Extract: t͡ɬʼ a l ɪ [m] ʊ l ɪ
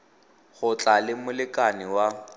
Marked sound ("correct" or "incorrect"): correct